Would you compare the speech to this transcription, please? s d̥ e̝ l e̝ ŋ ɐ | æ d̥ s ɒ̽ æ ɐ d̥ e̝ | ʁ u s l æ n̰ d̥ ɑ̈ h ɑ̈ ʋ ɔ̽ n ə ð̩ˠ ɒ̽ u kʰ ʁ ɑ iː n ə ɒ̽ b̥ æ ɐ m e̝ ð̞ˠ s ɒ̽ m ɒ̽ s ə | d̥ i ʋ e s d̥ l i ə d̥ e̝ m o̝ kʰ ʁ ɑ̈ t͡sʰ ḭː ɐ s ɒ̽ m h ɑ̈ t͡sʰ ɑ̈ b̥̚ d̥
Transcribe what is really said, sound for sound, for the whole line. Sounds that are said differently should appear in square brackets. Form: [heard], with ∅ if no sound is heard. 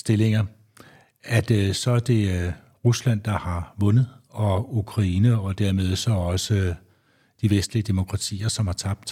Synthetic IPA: s d̥ e̝ l e̝ ŋ ɐ | æ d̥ s ɒ̽ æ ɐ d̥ e̝ | ʁ u s l æ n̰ d̥ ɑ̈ h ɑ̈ ʋ ɔ̽ n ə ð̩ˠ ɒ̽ u kʰ ʁ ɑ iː n ə ɒ̽ [d̥] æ ɐ m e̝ ð̞ˠ s ɒ̽ [∅] ɒ̽ s ə | d̥ i ʋ e s d̥ l i ə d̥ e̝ m o̝ kʰ ʁ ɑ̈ t͡sʰ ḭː ɐ s ɒ̽ m h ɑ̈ t͡sʰ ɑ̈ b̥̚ d̥